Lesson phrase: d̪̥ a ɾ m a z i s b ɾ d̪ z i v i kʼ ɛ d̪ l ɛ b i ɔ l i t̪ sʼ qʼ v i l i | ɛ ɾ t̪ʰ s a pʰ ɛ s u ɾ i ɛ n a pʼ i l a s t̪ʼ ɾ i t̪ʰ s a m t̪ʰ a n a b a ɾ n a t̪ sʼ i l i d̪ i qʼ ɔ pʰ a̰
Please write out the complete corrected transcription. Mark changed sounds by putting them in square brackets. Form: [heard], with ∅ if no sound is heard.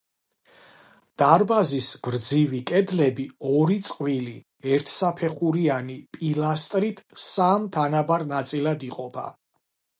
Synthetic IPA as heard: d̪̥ a ɾ [b] a z i s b ɾ d̪ z i v i kʼ ɛ d̪ l ɛ b i ɔ [ɾ] i t̪ sʼ qʼ v i l i | ɛ ɾ t̪ʰ s a pʰ ɛ [χ] u ɾ i [a] n [i] pʼ i l a s t̪ʼ ɾ i t̪ʰ s a m t̪ʰ a n a b a ɾ n a t̪ sʼ i l [a] d̪ i qʼ ɔ pʰ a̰